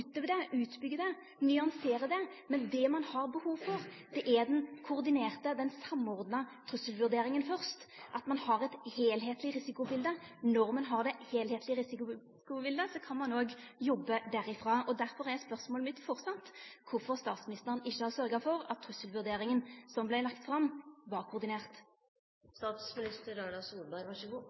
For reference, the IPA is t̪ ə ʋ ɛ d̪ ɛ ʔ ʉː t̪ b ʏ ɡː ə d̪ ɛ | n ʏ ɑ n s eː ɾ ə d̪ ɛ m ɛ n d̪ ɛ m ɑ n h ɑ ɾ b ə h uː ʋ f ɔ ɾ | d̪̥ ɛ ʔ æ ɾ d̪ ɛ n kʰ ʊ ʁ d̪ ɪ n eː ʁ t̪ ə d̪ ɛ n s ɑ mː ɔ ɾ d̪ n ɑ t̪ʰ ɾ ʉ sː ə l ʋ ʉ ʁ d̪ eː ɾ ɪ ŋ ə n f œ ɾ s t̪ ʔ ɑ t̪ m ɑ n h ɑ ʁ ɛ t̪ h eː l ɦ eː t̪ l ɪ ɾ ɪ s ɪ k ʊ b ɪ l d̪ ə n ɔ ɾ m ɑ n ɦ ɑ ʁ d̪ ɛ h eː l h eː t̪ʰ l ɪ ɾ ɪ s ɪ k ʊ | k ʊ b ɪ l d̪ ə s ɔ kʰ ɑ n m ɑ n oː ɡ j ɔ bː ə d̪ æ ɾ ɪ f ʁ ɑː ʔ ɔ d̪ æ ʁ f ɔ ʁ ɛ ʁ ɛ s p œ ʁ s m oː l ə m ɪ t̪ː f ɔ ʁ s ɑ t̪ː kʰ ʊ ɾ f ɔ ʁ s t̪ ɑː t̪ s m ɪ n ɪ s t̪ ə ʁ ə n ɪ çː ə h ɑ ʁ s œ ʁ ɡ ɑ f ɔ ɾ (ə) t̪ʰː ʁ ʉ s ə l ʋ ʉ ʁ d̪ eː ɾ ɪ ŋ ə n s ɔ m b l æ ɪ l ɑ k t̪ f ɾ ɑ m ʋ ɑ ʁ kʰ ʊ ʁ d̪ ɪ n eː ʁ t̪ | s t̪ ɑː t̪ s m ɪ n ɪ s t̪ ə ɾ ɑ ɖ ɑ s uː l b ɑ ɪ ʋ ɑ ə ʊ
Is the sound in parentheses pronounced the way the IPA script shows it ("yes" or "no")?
no